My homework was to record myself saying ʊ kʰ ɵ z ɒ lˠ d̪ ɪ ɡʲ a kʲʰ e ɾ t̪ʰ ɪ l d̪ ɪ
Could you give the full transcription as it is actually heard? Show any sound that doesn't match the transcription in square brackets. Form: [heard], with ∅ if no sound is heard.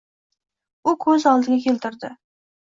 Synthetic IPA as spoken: ʊ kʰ ɵ z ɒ lˠ d̪ ɪ ɡʲ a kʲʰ e [l] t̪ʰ ɪ [ɾ] d̪ ɪ